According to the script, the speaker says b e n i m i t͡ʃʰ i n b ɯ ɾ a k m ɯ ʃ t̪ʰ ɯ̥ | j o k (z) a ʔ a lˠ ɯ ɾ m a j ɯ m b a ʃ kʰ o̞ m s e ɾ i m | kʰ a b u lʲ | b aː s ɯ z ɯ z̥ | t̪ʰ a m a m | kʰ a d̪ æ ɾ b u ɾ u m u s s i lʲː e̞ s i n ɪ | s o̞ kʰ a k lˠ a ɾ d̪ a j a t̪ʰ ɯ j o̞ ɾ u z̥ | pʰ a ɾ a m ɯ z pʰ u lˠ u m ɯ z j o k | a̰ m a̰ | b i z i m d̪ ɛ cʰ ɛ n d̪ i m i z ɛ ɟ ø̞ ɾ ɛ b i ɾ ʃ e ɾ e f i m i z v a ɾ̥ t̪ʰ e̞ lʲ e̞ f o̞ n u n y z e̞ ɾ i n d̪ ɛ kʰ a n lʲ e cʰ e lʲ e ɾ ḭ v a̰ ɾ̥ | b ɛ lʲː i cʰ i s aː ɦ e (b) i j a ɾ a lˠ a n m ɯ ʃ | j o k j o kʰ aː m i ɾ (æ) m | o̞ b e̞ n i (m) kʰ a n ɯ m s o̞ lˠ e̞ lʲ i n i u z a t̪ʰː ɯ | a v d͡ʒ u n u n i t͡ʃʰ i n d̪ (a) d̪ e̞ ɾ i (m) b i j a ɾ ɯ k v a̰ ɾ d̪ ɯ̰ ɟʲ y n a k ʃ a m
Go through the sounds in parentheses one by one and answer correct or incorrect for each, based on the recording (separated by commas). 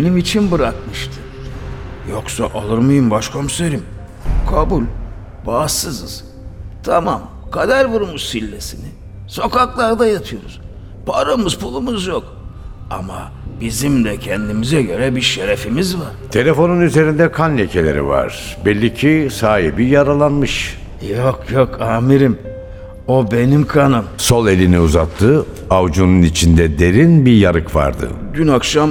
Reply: incorrect, correct, incorrect, correct, incorrect, incorrect